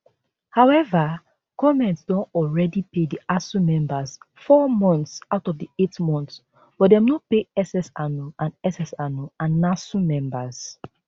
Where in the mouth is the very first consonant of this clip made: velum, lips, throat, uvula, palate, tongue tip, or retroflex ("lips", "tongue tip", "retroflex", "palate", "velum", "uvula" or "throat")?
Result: throat